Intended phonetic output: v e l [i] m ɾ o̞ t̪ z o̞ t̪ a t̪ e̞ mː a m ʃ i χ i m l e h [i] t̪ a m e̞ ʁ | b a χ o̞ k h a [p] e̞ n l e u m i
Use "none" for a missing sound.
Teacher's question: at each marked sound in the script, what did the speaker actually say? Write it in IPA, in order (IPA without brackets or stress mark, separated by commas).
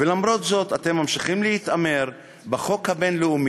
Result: a, i, b